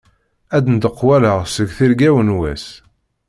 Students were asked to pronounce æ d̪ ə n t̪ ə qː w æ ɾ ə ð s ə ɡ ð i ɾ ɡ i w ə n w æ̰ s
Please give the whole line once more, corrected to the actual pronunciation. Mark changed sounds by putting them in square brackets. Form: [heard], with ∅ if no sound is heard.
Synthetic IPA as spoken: æ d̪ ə n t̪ ə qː w æ [l] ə [ʁ] s ə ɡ [θ] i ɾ ɡ [æ] w ə n w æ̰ s